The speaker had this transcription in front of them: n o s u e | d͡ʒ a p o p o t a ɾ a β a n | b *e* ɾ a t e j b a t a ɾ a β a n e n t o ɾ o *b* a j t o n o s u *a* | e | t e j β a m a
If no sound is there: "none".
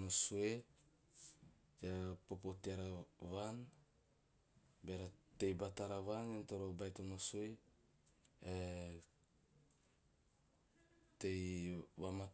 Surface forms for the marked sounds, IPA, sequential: e, b, e

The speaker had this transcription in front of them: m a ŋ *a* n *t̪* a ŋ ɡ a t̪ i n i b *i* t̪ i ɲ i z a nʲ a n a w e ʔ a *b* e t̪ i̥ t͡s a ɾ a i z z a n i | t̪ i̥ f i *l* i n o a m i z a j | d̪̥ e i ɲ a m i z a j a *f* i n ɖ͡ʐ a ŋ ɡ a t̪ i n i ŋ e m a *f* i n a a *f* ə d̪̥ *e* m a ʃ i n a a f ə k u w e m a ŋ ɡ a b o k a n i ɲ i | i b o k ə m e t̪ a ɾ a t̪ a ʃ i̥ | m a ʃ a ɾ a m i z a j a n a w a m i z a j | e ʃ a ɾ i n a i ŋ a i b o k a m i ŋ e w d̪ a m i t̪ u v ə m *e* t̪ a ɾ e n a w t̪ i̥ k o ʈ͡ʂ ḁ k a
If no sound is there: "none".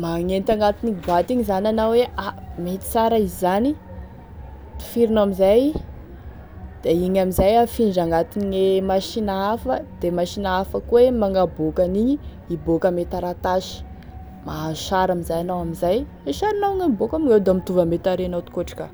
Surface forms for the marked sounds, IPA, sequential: e, t̪, a, m, ɾ, f, ʃ, f, e, e

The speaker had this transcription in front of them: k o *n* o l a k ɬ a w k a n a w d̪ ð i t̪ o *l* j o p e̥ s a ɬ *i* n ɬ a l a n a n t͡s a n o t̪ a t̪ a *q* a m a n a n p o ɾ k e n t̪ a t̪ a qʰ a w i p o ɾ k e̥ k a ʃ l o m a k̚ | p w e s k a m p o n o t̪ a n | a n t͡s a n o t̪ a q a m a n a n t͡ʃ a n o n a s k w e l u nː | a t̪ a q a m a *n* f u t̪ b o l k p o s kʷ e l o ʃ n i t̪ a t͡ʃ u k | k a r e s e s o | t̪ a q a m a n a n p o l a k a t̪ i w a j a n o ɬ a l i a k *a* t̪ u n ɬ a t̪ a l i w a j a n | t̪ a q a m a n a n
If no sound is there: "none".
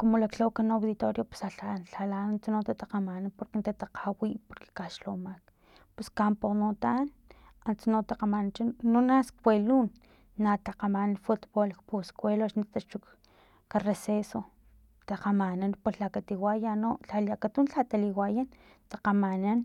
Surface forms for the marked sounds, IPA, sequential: m, ɾ, a, q, n, a

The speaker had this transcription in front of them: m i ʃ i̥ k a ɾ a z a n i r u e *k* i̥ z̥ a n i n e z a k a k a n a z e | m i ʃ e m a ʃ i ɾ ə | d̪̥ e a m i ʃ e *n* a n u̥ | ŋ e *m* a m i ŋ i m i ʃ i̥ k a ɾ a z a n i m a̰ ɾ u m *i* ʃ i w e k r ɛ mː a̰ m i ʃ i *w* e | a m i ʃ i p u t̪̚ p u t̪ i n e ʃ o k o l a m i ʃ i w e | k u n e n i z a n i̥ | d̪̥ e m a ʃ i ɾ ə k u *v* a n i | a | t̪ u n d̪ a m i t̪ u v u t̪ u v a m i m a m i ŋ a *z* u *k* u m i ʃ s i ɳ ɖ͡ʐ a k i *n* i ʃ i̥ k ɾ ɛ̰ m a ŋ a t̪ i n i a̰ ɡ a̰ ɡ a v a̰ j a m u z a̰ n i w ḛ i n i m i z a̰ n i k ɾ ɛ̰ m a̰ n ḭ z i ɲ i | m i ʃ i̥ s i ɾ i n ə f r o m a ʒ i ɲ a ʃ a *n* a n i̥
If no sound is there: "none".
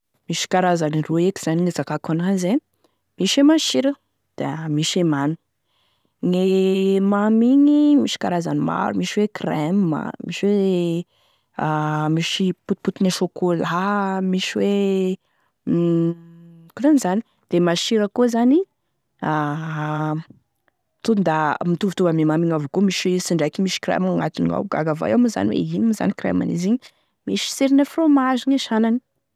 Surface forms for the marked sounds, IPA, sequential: k, m, m, i, w, z, v, k, m, n

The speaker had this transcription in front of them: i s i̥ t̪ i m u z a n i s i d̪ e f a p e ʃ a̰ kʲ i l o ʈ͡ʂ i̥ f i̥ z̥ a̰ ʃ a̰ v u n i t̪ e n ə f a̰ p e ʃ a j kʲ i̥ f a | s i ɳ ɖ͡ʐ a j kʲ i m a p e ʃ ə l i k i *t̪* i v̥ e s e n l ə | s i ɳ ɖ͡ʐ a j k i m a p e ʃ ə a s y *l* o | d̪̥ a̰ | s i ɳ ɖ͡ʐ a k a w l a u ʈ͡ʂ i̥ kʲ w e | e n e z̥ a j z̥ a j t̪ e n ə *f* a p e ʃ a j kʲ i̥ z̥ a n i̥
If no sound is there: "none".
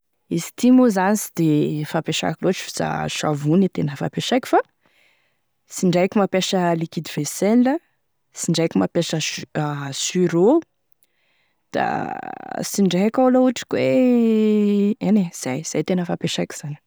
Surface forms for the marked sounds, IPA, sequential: d̪, ɾ, f

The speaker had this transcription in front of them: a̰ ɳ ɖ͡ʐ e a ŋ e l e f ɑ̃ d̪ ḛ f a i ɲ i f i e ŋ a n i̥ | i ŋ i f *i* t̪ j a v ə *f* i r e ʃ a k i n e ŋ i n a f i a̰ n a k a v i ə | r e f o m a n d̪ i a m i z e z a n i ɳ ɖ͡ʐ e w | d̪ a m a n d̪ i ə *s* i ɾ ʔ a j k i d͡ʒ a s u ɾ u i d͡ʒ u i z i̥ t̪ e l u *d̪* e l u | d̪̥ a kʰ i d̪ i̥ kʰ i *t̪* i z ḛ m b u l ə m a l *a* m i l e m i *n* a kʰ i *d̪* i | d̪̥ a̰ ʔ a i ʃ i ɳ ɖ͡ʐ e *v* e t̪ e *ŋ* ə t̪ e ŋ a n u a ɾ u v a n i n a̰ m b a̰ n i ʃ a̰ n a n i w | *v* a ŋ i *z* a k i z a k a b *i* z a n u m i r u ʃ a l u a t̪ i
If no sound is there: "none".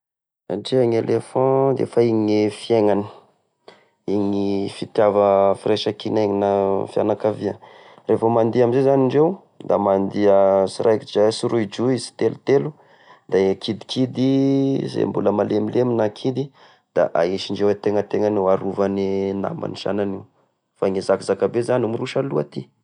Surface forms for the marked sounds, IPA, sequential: i, f, s, t̪, d̪, e, n, d̪, w, ŋ, f, z, e

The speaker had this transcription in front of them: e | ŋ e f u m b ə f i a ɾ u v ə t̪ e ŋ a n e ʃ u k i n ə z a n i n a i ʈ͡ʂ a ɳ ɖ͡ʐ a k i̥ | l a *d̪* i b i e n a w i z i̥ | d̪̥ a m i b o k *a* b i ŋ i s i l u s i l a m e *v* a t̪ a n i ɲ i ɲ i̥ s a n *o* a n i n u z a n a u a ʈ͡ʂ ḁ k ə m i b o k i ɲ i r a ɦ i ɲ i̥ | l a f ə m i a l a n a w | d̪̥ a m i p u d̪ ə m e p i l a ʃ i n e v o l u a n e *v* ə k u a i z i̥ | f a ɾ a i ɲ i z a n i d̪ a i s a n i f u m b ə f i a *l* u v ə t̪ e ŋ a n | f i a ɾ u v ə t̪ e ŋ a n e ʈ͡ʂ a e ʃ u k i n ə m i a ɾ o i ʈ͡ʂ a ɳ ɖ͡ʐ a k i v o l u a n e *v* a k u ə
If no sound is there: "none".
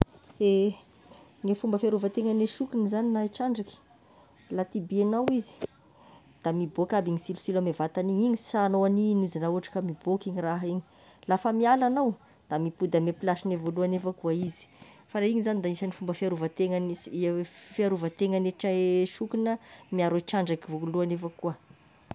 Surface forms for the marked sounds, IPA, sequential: t̪, a, v, o, f, ɾ, f

